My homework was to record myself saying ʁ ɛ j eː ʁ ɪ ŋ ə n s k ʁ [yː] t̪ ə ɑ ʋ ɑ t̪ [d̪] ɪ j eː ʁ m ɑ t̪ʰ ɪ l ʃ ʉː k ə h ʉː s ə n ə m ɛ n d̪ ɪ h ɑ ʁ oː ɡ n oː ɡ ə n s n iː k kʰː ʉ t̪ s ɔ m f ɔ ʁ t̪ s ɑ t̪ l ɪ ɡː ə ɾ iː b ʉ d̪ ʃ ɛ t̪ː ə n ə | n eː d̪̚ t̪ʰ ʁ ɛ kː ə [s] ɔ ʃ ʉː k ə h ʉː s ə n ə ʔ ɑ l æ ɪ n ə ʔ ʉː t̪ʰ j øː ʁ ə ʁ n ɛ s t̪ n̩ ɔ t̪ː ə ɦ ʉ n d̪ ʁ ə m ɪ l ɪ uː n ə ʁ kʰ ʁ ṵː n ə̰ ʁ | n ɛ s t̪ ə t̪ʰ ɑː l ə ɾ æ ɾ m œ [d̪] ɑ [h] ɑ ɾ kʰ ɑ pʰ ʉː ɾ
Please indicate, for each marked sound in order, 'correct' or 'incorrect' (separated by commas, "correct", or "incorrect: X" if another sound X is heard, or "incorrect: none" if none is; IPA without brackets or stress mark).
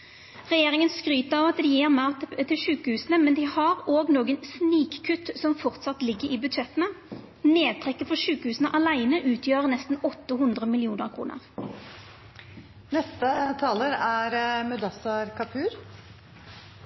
correct, correct, incorrect: f, correct, incorrect: s